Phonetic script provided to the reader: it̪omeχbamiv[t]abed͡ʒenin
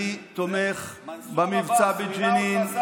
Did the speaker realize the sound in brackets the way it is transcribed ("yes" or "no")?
no